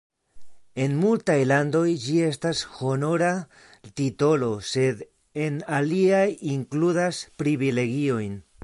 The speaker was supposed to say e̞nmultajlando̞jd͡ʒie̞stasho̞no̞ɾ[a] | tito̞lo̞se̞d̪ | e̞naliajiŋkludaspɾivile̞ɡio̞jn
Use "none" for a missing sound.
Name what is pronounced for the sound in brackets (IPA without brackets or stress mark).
a